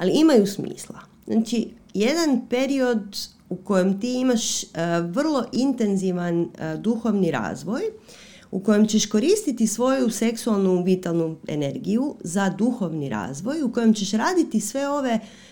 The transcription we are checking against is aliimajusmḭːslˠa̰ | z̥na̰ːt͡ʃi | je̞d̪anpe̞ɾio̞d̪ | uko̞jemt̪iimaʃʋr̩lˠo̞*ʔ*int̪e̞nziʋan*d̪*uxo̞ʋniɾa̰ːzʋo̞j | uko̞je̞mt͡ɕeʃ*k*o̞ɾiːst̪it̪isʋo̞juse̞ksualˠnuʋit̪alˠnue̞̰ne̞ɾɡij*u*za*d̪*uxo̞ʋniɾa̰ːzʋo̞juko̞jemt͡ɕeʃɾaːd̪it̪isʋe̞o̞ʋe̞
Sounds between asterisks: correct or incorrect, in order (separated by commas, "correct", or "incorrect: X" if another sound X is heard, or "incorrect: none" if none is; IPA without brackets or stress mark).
correct, correct, correct, correct, correct